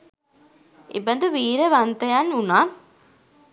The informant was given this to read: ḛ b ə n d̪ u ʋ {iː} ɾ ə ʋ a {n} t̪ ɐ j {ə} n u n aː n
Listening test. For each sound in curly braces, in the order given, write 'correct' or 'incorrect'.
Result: correct, correct, incorrect: a

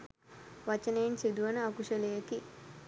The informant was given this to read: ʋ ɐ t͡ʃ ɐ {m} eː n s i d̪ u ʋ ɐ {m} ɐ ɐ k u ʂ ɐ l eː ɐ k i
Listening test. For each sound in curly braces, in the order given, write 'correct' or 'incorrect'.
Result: incorrect: n, incorrect: n

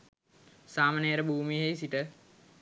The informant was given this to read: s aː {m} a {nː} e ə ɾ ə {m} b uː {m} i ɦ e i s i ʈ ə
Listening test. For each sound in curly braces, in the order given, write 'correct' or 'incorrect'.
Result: correct, incorrect: n, incorrect: none, correct

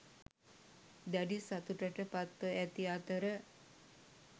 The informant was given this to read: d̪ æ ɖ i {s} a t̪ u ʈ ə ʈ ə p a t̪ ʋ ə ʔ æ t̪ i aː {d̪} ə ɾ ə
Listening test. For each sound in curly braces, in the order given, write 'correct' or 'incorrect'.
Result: correct, incorrect: t̪

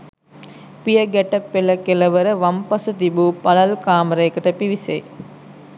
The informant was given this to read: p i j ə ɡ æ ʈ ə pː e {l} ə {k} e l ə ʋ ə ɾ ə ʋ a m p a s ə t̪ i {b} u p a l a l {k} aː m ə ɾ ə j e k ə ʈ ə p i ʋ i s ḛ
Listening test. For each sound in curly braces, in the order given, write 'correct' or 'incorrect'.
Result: correct, correct, correct, correct

